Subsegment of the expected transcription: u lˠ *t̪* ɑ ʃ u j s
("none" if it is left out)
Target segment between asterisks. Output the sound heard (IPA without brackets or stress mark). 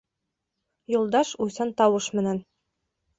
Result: d̪